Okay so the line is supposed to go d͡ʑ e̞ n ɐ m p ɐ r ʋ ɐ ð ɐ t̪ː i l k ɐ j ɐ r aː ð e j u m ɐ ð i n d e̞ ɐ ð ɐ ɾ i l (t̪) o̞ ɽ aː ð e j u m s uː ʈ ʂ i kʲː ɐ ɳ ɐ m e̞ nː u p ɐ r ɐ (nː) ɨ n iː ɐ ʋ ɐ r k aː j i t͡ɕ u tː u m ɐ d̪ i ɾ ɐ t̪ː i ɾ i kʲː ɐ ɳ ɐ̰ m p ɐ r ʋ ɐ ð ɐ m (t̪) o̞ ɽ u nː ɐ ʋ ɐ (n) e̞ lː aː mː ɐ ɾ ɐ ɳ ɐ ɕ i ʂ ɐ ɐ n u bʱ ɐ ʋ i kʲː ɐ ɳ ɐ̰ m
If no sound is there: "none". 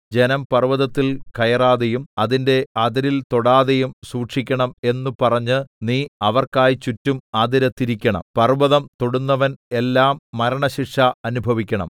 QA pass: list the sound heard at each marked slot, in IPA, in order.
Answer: t̪, ɲː, t̪, n

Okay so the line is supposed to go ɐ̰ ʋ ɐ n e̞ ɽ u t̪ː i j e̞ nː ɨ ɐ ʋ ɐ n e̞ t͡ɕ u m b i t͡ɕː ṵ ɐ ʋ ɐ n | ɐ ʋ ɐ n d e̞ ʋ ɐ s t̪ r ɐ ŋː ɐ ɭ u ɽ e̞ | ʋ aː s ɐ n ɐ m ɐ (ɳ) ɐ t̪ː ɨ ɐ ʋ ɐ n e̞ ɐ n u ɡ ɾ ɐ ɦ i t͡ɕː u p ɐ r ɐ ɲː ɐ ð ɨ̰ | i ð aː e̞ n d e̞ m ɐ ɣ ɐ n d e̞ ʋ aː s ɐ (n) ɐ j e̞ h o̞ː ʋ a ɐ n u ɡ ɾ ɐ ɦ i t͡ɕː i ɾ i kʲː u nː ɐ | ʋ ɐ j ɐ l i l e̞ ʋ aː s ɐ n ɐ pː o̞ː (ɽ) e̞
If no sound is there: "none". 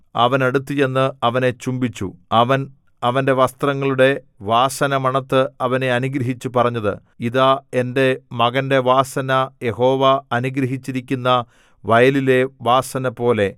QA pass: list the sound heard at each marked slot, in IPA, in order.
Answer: ɳ, n, l

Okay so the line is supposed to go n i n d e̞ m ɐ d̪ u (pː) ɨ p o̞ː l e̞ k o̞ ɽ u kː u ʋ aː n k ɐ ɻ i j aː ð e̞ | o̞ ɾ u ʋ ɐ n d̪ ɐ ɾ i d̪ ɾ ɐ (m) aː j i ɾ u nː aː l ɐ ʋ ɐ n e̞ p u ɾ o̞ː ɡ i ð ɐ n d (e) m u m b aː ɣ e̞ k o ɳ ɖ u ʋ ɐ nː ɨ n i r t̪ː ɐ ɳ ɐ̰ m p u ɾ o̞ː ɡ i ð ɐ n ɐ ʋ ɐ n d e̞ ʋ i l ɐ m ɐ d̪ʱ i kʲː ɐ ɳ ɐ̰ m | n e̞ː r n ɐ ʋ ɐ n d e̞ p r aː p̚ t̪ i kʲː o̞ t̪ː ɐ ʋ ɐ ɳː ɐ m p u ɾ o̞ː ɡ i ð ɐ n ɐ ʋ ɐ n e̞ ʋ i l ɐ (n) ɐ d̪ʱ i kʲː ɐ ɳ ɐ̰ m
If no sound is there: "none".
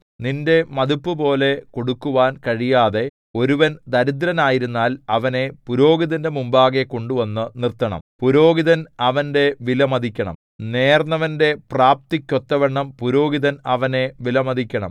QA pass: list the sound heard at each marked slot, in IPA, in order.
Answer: pː, n, e, m

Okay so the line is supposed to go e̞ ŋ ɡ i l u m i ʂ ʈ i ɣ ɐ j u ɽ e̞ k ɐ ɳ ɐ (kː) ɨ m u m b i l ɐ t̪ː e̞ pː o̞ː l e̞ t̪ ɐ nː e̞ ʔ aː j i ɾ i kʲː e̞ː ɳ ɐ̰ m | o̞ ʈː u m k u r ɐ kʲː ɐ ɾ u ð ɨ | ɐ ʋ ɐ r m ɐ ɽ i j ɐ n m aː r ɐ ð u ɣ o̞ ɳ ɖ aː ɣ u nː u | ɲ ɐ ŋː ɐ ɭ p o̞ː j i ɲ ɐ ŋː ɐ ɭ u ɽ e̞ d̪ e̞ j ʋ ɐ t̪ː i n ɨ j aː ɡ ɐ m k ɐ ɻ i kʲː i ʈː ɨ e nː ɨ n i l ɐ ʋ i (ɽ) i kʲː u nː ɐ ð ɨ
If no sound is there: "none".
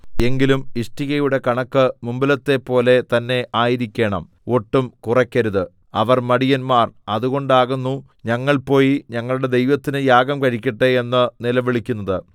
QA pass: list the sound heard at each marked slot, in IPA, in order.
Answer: kː, ɭ

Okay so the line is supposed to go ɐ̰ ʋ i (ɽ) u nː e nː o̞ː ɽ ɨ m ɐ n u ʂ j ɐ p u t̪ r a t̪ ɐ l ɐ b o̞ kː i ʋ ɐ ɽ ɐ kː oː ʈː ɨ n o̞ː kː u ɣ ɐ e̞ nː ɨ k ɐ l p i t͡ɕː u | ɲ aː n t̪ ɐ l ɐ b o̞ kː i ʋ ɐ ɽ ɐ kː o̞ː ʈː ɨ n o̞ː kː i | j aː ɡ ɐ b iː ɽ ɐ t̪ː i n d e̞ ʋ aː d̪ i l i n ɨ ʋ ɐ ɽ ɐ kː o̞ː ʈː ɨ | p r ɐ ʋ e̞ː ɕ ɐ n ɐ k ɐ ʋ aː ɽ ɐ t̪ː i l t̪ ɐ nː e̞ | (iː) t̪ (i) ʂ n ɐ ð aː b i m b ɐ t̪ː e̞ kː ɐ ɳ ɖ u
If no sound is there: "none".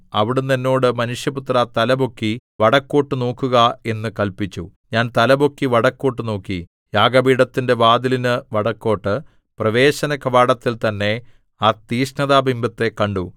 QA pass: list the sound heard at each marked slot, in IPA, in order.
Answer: ɽ, aː, iː

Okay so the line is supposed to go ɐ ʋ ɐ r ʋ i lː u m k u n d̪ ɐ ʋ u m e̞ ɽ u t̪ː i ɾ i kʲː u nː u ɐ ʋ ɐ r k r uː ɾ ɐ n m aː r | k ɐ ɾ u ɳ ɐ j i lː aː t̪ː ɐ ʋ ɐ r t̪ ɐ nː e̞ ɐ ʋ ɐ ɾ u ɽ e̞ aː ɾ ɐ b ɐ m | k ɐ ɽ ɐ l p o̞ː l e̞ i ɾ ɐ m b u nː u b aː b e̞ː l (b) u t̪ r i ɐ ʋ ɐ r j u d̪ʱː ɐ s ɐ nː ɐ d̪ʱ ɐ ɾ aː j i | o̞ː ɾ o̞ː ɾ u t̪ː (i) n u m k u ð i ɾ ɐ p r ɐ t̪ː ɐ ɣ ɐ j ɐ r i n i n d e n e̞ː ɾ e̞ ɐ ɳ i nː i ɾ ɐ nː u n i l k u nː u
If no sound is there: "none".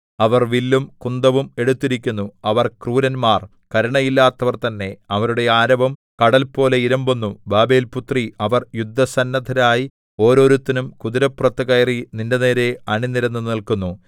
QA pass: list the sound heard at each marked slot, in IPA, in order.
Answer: p, i

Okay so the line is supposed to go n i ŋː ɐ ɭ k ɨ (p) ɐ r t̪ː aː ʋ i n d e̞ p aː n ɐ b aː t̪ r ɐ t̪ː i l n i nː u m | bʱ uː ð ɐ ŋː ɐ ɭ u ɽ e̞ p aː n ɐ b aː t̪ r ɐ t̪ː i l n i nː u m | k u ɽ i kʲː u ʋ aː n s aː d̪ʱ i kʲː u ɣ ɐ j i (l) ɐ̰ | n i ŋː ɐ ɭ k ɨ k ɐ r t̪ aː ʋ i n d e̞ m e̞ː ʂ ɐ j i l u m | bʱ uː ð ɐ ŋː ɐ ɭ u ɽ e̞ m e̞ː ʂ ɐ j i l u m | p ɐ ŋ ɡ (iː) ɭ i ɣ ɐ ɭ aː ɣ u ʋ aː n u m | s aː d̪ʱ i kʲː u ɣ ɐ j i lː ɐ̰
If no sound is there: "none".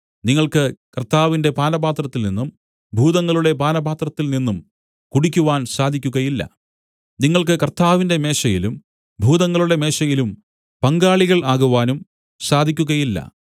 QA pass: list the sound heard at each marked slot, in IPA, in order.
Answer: k, lː, aː

